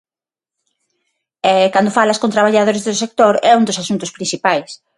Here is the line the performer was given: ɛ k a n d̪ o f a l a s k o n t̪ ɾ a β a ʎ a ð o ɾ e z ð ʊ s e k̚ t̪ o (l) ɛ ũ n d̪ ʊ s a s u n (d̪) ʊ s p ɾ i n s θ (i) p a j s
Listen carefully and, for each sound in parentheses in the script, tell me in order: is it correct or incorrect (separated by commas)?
incorrect, incorrect, correct